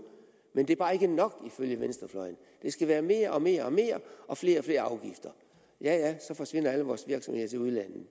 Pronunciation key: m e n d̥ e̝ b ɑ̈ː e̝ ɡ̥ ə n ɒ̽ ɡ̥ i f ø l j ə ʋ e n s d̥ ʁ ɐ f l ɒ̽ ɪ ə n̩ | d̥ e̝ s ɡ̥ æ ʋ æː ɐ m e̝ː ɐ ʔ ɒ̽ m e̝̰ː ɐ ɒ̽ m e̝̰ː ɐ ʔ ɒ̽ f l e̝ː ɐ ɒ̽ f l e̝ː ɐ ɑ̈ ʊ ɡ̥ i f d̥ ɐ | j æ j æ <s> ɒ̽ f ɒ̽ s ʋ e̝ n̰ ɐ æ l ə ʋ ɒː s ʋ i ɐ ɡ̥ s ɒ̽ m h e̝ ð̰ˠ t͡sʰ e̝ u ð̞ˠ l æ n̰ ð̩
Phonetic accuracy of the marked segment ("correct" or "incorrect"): correct